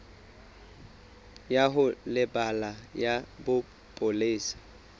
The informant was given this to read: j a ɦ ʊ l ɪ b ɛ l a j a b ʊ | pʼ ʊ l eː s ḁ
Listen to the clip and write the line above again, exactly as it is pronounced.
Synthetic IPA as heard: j a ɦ ʊ l ɪ b a l a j a b ʊ | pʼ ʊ l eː s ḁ